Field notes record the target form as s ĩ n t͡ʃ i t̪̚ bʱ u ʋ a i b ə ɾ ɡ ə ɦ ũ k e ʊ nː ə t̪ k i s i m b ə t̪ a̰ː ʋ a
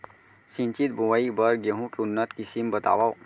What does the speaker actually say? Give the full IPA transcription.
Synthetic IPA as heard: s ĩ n t͡ʃ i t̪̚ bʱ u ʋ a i b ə ɾ ɡ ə ɦ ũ k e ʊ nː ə t̪ k i s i m b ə t̪ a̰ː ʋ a